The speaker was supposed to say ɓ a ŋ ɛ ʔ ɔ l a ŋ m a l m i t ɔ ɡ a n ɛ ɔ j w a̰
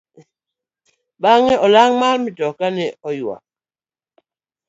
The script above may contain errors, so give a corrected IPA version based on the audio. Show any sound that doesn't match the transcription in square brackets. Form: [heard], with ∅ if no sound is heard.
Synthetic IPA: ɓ a ŋ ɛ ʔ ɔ l a ŋ m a l m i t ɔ [k] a n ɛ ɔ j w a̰